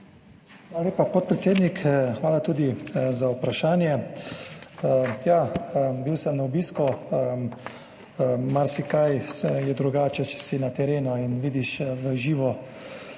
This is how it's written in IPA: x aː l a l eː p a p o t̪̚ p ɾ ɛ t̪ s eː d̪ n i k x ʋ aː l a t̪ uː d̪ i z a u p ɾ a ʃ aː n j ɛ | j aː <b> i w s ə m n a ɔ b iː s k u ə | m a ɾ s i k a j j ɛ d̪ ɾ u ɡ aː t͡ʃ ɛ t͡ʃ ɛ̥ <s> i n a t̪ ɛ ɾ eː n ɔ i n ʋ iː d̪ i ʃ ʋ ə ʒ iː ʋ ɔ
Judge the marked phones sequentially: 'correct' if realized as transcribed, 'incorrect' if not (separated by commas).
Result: correct, correct